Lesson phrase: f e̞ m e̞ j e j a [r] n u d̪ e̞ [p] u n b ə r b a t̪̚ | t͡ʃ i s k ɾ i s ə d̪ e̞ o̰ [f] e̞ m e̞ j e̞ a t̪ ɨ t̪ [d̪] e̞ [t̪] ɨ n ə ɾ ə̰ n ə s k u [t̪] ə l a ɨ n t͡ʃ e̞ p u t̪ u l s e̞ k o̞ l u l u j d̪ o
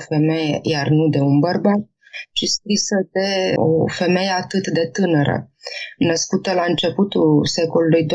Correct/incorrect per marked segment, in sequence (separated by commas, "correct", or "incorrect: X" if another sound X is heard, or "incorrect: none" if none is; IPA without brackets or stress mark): correct, incorrect: none, correct, correct, correct, correct